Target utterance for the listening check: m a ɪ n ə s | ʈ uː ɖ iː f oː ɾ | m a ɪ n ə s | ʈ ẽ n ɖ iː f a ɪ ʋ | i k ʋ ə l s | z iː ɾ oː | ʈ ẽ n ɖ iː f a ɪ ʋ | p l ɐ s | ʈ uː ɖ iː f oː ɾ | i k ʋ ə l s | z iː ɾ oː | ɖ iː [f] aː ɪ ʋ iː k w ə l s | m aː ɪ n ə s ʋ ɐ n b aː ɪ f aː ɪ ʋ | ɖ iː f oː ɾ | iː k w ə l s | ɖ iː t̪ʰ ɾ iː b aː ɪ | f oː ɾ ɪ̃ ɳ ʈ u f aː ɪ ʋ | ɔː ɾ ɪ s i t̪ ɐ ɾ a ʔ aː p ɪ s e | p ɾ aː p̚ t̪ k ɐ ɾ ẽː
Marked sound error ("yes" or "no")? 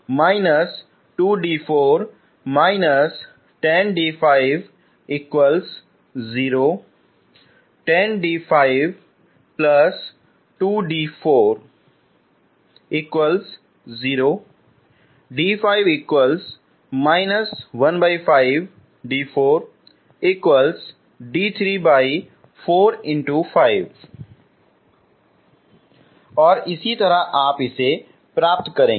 no